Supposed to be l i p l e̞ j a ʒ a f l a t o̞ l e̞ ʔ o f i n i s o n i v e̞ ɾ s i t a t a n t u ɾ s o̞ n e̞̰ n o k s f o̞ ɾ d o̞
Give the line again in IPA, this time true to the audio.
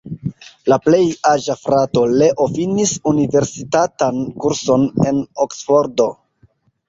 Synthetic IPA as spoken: l a p l e̞ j a ʒ a f ɾ a t o̞ l e̞ ʔ o f i n i s u n i v e̞ ɾ s i t a t a n k u ɾ s o̞ n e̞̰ n o k s f o̞ ɾ d o̞